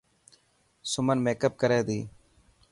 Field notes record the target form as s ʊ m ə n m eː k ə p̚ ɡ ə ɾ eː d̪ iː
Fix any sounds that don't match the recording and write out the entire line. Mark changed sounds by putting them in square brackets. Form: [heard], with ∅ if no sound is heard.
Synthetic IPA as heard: s ʊ m ə n m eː k ə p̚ [k] ə ɾ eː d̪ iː